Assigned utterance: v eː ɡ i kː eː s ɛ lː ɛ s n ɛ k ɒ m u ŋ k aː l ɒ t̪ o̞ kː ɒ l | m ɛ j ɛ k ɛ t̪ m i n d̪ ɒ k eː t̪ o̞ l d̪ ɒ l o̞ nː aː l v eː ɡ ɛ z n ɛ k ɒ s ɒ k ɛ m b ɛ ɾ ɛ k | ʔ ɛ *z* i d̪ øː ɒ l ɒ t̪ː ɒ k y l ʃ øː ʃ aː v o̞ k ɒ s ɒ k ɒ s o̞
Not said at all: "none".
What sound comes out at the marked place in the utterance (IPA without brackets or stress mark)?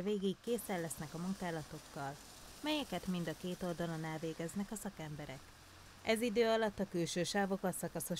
z